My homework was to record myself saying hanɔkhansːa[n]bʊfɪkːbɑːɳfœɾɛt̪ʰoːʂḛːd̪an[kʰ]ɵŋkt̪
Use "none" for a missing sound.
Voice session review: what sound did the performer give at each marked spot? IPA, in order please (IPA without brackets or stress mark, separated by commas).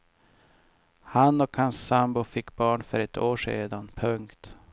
m, pʰ